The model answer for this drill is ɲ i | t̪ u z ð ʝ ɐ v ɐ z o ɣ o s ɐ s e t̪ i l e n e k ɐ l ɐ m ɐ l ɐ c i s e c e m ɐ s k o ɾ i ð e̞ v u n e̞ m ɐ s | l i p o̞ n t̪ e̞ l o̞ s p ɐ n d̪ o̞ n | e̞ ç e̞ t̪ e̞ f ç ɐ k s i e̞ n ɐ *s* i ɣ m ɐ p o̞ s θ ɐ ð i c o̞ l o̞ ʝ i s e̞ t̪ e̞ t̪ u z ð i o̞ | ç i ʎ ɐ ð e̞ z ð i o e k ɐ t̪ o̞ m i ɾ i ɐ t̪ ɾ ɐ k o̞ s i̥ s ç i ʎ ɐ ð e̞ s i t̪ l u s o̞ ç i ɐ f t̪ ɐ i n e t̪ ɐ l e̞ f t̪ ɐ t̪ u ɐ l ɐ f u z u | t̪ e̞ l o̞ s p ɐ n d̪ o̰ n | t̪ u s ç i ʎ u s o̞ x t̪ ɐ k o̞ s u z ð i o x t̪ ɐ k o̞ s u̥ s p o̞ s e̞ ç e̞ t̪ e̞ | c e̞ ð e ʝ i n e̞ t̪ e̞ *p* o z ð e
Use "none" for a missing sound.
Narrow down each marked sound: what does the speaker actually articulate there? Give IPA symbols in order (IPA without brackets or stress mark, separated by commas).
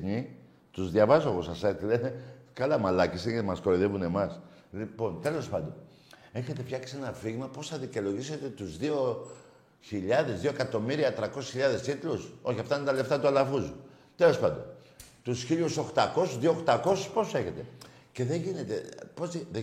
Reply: f, p